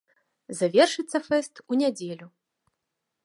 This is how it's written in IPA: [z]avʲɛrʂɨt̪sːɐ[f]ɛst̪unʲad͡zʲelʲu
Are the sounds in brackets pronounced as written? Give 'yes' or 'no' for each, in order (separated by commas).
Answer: yes, yes